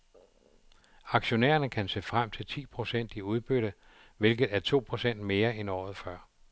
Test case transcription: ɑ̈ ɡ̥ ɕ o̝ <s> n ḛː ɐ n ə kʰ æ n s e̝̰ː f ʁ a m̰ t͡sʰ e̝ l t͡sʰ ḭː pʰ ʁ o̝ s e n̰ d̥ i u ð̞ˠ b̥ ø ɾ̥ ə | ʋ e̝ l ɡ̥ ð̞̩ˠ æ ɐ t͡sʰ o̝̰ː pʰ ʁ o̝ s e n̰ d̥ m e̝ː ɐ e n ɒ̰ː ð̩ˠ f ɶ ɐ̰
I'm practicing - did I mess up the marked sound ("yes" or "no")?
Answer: yes